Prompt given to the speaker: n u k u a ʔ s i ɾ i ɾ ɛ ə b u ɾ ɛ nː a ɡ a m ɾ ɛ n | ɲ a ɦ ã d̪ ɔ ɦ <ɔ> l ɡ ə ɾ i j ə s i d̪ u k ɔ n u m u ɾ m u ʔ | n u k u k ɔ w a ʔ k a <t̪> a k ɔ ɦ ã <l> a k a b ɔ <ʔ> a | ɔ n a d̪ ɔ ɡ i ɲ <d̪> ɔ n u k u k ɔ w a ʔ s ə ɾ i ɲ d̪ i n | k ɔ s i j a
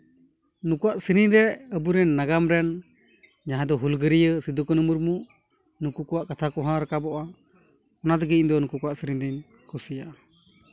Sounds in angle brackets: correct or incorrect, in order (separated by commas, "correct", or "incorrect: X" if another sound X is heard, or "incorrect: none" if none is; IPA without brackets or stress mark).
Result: incorrect: u, incorrect: t̪ʰ, incorrect: ɾ, correct, correct